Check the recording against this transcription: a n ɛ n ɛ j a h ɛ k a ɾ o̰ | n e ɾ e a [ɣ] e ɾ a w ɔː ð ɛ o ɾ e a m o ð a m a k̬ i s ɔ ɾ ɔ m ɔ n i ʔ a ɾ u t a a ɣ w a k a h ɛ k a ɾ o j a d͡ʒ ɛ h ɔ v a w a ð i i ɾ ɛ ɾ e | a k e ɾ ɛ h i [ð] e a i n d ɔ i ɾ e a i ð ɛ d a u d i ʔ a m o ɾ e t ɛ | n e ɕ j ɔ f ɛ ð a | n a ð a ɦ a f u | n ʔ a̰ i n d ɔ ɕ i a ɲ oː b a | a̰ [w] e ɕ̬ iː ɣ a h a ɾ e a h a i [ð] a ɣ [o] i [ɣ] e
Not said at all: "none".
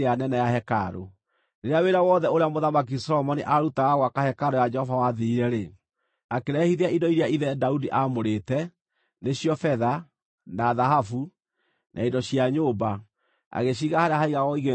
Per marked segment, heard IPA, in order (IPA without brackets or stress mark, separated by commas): w, ð, ɣ, ɣ, ɔ, ɣ